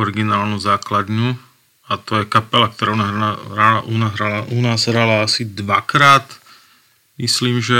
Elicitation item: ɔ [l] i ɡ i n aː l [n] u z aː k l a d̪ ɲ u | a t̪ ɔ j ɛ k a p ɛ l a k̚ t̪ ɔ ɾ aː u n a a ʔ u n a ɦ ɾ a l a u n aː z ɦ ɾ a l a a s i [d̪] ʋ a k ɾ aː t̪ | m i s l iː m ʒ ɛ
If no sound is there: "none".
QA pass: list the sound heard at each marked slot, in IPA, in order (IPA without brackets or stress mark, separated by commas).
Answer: ɾ, n, d̪